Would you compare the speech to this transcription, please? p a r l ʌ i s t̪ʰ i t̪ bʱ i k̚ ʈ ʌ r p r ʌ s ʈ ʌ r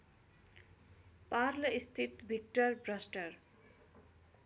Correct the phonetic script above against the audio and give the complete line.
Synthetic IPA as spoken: p a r l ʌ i s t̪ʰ i t̪ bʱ i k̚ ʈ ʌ r b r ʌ s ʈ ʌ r